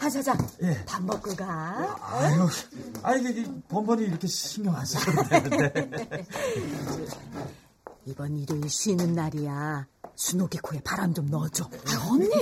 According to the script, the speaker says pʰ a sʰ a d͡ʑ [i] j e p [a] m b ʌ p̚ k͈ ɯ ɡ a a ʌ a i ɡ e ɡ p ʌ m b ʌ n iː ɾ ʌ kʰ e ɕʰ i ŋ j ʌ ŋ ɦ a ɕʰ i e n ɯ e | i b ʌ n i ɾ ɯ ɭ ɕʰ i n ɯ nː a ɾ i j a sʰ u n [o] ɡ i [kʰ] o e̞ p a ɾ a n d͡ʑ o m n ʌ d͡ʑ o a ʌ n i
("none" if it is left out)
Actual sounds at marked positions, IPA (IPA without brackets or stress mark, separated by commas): a, a, o, kʰ